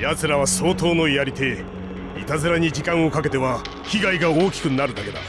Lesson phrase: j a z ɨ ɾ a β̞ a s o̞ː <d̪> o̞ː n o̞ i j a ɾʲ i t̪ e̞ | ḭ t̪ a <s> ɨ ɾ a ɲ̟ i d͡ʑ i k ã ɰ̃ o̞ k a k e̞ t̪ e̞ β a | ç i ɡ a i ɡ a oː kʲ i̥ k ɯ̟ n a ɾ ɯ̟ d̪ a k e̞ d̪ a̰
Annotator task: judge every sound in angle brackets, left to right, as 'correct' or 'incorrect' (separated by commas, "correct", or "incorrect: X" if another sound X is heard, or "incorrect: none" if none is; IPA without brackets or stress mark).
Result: incorrect: t̪, incorrect: z